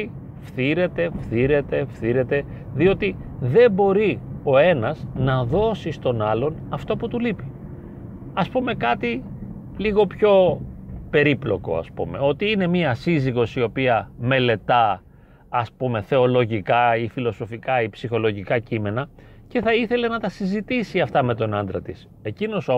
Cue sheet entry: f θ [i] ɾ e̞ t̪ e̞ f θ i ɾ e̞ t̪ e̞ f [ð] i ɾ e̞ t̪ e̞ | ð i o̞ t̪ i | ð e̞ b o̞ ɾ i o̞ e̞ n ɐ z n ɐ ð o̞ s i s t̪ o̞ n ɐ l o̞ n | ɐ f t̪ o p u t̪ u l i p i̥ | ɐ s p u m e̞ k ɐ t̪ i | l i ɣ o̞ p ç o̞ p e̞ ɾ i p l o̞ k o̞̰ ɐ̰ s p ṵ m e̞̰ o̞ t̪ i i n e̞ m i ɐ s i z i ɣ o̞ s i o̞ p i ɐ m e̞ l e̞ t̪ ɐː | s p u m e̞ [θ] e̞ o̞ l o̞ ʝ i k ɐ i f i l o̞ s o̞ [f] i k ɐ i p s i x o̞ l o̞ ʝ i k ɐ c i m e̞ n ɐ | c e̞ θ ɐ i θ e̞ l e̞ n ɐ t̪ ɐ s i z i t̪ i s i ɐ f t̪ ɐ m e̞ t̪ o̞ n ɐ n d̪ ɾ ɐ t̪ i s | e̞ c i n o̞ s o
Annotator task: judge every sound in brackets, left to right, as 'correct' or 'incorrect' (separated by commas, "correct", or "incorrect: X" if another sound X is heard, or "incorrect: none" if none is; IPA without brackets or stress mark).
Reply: correct, incorrect: θ, correct, correct